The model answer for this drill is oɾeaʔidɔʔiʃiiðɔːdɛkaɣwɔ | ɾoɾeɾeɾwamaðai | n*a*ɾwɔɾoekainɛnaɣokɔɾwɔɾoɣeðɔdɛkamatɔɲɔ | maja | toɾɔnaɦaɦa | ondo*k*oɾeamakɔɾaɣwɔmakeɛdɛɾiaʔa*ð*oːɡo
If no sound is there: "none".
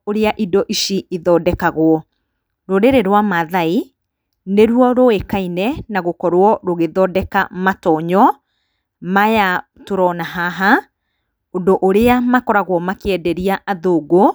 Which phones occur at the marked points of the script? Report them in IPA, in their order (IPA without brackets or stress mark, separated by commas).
e, ʔ, ð